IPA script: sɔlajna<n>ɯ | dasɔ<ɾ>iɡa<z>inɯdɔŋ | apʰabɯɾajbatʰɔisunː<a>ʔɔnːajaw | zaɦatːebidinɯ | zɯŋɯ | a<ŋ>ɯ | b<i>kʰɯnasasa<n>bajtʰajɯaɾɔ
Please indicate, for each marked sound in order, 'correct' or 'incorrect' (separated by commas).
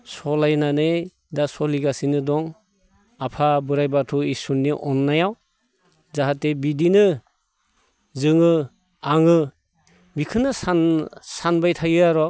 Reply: correct, incorrect, incorrect, incorrect, correct, correct, correct